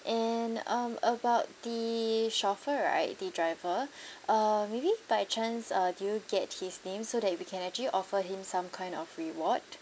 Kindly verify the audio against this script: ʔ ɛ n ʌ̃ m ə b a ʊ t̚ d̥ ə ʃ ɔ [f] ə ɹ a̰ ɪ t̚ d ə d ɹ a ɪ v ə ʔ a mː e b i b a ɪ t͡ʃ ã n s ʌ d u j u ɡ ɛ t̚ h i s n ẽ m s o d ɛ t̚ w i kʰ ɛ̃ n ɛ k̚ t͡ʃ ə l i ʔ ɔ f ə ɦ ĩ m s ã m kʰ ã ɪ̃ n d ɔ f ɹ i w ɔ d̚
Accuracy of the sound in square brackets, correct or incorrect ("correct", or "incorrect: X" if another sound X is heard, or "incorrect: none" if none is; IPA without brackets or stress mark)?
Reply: correct